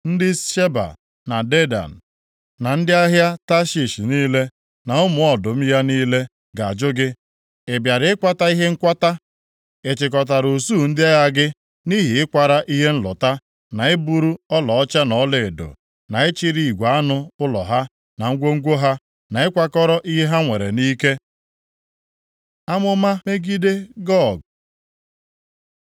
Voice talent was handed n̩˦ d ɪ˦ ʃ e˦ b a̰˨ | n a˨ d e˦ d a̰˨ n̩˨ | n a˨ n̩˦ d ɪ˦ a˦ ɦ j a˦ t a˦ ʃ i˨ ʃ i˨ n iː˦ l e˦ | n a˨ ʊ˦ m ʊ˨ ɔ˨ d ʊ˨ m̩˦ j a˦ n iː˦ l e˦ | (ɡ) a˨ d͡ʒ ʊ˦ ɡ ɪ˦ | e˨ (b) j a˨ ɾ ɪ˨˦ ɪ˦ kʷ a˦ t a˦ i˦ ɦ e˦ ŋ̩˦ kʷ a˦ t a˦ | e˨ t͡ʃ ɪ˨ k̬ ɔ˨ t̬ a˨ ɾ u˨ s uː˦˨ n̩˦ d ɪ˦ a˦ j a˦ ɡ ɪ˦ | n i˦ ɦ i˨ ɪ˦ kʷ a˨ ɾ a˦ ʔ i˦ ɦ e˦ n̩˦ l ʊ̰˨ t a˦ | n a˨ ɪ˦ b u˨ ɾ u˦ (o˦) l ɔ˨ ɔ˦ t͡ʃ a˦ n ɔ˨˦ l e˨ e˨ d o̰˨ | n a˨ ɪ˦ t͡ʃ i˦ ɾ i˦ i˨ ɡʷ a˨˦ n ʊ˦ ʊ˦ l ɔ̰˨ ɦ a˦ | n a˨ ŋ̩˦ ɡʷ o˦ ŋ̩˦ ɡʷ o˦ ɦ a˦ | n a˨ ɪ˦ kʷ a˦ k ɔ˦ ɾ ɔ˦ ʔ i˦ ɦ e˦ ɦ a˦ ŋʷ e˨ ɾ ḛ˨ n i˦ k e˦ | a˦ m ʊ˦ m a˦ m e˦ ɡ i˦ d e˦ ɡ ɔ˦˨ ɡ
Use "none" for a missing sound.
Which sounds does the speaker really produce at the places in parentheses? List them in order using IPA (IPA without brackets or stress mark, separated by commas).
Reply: ɡ, b, ɔ˦